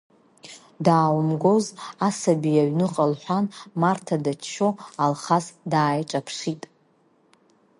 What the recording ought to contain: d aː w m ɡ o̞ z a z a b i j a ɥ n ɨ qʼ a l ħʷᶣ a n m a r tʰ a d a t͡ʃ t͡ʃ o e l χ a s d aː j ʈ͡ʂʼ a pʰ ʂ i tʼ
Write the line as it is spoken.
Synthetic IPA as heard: d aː w m ɡ o̞ z a s a b i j a ɥ n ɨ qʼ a l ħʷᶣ a n m a r tʰ a d a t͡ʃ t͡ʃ o a l χ a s d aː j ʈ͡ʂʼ a pʰ ʂ i tʼ